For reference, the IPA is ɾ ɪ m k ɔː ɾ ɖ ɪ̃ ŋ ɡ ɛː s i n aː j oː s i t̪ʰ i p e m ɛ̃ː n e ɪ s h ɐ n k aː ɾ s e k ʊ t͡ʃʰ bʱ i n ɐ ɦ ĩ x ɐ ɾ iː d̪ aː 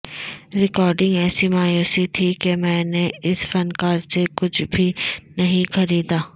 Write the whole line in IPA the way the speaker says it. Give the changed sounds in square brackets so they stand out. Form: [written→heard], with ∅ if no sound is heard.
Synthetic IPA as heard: ɾ ɪ [m→∅] k ɔː ɾ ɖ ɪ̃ ŋ ɡ ɛː s i [n→m] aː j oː s i t̪ʰ i [p→k] e m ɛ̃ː n e ɪ s [h→f] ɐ n k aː ɾ s e k ʊ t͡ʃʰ bʱ i n ɐ ɦ ĩ x ɐ ɾ iː d̪ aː